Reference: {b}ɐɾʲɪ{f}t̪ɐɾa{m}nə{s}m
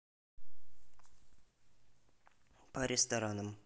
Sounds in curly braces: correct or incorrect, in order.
incorrect, incorrect, incorrect, incorrect

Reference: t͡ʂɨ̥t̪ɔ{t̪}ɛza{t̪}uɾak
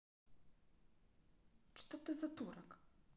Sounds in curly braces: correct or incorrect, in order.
correct, correct

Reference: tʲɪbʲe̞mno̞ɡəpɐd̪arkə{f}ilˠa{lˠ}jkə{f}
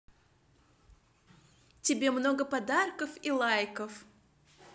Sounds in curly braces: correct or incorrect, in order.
correct, incorrect, correct

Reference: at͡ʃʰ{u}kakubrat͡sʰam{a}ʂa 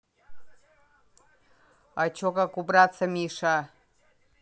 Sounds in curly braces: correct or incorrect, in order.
incorrect, incorrect

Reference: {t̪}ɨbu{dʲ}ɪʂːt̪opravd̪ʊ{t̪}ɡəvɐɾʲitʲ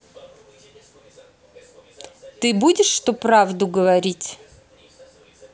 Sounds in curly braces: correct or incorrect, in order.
correct, correct, incorrect

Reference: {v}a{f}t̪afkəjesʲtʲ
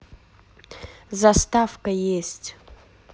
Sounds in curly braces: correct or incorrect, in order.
incorrect, incorrect

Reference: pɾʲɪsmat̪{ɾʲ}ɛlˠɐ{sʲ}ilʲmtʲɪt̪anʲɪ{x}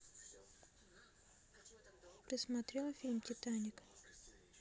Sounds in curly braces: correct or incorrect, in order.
correct, incorrect, incorrect

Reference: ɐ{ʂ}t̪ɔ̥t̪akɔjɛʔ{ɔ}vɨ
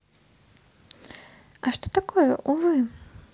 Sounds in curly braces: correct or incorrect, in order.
correct, incorrect

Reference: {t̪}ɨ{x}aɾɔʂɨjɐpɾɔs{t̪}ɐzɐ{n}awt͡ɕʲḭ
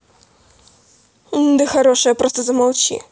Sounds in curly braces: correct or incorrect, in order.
incorrect, correct, correct, incorrect

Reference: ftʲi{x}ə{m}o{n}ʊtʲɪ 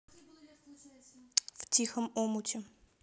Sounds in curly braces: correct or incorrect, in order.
correct, correct, incorrect

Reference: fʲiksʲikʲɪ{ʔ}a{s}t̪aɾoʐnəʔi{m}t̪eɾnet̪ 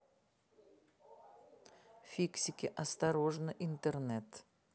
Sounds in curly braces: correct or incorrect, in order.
correct, correct, incorrect

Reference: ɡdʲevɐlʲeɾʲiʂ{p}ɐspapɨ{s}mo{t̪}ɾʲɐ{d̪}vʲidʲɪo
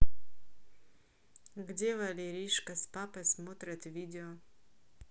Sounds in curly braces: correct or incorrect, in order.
incorrect, correct, correct, incorrect

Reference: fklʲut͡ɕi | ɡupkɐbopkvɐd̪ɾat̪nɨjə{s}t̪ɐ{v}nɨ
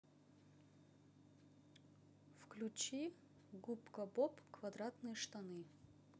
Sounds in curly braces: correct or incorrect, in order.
incorrect, incorrect

